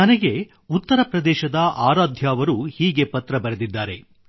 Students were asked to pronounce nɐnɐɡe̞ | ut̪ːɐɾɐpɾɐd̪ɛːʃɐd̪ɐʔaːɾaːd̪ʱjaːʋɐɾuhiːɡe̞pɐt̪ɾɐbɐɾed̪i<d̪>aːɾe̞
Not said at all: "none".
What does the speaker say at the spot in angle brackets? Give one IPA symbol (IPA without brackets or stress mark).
d̪ː